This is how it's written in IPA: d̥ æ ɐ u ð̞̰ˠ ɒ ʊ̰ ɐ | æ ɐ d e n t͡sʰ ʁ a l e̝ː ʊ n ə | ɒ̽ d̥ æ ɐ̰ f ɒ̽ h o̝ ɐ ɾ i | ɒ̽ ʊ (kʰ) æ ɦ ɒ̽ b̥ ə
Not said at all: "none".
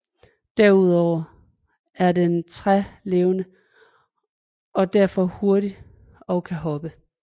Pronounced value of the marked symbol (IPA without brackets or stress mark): kʰ